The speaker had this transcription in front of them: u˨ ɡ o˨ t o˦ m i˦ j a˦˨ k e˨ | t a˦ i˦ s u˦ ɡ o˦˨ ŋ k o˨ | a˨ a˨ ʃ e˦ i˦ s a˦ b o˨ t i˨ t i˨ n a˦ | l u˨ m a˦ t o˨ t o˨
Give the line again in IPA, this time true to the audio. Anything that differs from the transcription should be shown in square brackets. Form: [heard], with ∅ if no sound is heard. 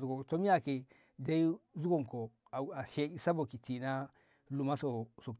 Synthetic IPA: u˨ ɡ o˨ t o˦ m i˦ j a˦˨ k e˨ | [d] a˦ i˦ [z] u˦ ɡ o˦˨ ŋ k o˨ | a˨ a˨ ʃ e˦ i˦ s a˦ b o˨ [k] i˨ t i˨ n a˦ | l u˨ m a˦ [s] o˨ [s] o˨